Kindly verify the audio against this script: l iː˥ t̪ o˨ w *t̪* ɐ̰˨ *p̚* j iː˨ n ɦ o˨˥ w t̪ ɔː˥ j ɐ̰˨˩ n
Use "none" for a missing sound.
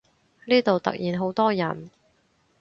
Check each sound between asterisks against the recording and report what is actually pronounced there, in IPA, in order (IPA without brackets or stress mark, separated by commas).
t̪, k̚